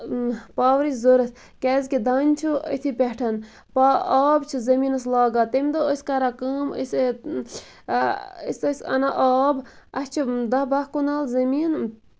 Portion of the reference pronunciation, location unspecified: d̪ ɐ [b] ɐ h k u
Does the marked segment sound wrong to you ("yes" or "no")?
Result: no